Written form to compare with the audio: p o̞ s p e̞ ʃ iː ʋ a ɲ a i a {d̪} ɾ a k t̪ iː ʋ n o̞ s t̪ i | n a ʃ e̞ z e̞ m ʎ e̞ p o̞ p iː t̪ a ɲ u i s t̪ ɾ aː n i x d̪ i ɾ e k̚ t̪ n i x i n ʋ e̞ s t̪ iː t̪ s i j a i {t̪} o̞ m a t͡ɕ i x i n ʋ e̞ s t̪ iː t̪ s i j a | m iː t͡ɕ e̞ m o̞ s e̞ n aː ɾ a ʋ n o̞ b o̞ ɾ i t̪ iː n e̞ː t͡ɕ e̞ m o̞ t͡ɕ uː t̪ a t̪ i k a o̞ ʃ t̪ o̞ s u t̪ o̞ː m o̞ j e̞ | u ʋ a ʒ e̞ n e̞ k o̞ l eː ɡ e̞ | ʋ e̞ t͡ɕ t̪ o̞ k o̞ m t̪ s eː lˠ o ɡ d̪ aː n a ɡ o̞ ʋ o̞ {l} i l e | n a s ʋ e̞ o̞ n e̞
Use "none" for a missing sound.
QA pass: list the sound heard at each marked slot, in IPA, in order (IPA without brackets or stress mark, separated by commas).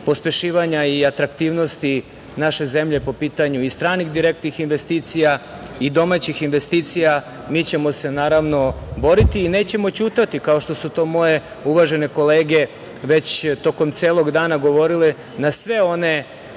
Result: t̪, d̪, ɾ